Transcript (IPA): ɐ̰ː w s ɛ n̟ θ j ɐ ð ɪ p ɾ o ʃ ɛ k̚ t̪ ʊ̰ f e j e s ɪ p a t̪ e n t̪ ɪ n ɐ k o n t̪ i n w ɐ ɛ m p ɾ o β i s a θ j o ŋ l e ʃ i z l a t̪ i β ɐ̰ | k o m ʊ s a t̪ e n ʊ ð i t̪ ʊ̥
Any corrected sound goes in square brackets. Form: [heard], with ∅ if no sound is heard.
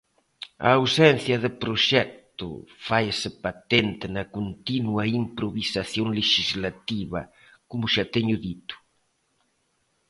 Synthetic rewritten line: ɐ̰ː w s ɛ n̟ θ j ɐ ð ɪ p ɾ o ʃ ɛ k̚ t̪ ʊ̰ f [a] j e s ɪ p a t̪ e n t̪ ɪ n ɐ k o n t̪ i n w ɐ [i] m p ɾ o β i s a θ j o ŋ l e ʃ i z l a t̪ i β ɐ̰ | k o m ʊ [ʃ] a t̪ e [ɲ] ʊ ð i t̪ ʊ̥